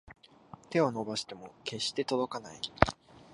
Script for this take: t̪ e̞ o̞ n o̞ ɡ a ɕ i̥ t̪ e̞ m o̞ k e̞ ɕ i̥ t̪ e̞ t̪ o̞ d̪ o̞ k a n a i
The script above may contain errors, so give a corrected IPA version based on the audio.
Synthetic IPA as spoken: t̪ e̞ o̞ n o̞ b a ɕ i̥ t̪ e̞ m o̞ k e̞ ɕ i̥ t̪ e̞ t̪ o̞ d̪ o̞ k a n a i